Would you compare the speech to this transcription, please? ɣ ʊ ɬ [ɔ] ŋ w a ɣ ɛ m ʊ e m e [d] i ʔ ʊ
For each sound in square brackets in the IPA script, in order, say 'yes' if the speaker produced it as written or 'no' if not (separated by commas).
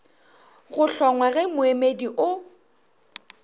yes, yes